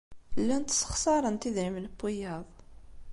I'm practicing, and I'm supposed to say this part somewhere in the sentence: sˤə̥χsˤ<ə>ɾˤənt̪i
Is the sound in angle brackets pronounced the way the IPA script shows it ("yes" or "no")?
no